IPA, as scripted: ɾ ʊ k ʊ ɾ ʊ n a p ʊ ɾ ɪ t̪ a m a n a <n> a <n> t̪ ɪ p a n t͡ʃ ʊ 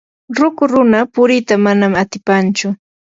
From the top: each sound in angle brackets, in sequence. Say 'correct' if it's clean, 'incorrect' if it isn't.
incorrect: m, incorrect: none

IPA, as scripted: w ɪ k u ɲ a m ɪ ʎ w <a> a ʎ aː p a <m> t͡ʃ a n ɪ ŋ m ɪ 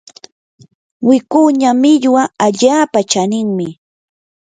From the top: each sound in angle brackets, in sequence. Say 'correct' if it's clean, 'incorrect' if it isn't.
correct, incorrect: none

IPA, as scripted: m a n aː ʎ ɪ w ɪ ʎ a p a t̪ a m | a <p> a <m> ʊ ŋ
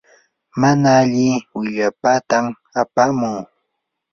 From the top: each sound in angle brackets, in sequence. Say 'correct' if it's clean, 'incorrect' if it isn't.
correct, correct

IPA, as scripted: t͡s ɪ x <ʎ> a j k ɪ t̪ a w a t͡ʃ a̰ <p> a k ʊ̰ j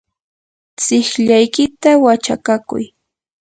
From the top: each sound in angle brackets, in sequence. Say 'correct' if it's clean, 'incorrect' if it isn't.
correct, incorrect: k

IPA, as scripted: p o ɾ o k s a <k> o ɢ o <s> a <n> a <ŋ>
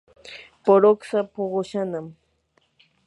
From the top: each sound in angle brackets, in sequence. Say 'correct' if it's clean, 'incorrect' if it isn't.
incorrect: p, incorrect: ʃ, correct, incorrect: m

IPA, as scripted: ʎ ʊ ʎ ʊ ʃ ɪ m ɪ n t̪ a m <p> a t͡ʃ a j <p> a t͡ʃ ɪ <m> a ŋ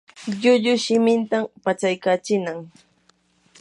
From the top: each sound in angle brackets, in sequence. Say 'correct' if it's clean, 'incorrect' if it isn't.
correct, incorrect: k, incorrect: n

